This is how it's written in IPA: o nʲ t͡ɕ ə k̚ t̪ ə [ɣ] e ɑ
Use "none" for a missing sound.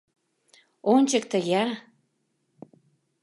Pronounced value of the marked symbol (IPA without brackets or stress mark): ɣ